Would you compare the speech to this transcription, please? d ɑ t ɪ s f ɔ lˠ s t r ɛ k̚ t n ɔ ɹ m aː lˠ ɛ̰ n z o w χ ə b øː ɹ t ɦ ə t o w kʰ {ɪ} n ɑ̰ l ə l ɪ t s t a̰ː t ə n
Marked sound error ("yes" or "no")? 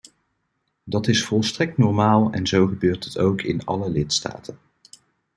no